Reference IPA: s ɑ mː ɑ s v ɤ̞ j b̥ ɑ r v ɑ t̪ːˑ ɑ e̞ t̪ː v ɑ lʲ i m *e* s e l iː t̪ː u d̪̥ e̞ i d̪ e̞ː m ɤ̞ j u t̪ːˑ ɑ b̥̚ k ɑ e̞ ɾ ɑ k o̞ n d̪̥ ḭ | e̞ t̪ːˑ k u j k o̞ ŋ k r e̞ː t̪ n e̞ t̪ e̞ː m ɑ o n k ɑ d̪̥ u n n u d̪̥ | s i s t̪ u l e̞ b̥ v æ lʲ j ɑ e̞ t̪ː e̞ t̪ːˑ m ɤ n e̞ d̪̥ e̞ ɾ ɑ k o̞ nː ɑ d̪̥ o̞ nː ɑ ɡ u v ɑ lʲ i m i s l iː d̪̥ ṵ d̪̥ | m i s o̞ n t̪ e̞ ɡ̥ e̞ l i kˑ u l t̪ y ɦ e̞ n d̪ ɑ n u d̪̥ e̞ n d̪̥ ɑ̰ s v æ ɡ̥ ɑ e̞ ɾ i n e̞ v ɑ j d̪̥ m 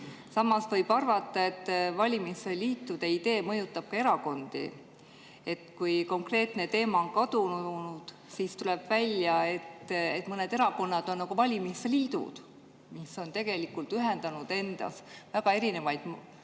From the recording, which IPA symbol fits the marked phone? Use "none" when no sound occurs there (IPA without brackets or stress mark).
i